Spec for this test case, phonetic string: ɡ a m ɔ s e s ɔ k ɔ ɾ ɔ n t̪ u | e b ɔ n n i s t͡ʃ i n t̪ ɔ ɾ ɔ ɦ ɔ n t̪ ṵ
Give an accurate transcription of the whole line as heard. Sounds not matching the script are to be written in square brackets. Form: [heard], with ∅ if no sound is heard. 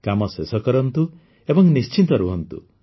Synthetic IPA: [k] a m ɔ s e s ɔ k ɔ ɾ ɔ n t̪ u | e b ɔ [ŋ] n i s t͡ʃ i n t̪ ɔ ɾ [u] ɦ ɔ n t̪ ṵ